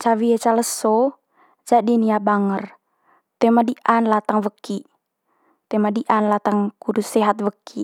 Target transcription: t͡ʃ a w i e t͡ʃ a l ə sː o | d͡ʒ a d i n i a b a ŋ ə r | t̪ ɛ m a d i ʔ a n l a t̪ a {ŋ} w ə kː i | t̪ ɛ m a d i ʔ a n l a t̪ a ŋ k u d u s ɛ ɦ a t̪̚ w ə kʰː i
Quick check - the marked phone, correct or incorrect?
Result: correct